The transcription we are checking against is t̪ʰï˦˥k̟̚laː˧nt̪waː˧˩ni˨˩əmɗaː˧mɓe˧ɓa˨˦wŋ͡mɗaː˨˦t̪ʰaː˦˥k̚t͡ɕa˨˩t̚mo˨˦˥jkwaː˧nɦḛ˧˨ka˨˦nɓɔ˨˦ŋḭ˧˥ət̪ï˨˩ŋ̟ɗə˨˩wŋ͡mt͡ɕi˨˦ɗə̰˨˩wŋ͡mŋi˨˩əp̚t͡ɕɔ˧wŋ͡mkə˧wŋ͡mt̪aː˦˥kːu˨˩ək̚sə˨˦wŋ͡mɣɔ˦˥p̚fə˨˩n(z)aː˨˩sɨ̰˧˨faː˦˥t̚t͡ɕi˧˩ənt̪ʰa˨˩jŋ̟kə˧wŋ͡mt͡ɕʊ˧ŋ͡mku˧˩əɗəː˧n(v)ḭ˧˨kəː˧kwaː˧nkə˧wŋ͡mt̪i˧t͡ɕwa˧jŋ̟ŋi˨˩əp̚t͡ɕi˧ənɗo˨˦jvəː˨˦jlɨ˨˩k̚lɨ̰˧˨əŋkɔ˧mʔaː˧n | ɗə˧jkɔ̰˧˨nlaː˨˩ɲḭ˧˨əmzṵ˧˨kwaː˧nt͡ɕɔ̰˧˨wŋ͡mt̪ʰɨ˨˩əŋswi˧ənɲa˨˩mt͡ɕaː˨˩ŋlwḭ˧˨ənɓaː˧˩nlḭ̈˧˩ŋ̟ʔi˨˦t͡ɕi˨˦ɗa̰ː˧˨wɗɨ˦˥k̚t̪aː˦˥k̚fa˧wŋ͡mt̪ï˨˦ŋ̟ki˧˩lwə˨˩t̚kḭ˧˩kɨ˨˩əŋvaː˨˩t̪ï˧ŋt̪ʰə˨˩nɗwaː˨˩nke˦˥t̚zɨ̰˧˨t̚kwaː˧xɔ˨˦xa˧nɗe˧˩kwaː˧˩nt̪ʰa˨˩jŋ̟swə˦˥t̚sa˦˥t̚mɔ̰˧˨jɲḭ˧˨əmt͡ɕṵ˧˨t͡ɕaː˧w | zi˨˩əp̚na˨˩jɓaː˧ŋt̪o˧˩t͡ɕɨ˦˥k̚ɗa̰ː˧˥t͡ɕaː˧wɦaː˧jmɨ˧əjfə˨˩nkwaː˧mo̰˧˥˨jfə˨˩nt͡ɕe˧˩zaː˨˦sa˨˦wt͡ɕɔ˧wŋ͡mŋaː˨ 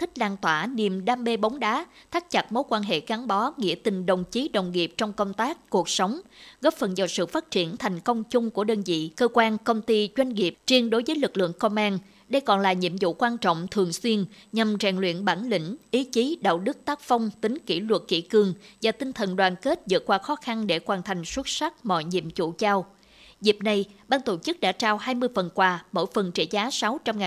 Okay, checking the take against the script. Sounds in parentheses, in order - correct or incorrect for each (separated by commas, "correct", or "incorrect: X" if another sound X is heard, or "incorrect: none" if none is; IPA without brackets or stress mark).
correct, incorrect: z